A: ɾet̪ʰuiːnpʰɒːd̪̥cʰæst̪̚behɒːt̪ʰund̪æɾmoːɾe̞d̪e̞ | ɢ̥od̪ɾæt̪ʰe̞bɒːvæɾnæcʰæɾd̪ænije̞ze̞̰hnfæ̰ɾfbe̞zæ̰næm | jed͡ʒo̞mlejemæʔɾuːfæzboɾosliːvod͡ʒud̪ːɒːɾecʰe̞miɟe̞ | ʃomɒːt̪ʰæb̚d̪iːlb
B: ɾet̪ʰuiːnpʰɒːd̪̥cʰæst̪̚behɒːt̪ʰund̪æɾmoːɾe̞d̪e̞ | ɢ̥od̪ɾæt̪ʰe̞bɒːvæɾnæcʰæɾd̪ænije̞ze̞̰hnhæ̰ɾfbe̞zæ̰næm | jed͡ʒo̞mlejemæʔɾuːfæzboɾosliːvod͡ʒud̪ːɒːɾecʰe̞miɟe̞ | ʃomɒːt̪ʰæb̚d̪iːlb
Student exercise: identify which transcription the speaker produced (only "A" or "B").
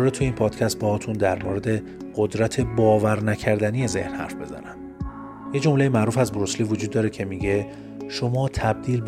B